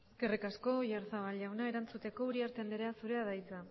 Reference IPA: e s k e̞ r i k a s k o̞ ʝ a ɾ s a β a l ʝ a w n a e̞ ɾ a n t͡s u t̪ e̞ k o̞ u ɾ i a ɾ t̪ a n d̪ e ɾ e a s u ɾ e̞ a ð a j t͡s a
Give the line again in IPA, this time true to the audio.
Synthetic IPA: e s k e̞ r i k a s k o̞ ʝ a ɾ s a β a l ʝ a w n a e̞ ɾ a n t͡s u t̪ e̞ k o̞ u ɾ i a ɾ t̪ e n d̪ e ɾ e a s u ɾ e̞ a ð a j t͡s a